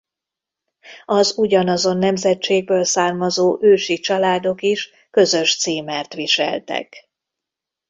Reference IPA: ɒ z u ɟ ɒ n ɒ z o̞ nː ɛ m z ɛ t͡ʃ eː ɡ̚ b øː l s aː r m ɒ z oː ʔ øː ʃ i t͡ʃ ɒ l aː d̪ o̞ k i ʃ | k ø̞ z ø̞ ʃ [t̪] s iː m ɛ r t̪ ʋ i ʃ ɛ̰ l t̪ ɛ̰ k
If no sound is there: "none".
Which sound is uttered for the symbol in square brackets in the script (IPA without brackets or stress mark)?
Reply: t̪